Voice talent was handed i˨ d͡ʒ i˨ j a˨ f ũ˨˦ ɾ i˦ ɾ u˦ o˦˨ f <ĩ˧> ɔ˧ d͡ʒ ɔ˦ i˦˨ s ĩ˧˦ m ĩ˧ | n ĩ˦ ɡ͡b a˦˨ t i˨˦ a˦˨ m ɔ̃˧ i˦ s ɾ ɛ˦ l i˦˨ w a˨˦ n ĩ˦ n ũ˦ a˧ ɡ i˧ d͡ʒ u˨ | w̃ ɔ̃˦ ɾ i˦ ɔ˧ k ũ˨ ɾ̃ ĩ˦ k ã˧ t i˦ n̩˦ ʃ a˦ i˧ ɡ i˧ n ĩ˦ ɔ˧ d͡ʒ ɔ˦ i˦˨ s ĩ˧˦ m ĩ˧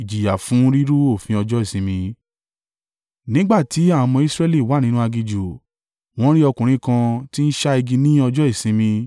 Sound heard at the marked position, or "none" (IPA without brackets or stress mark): ĩ˧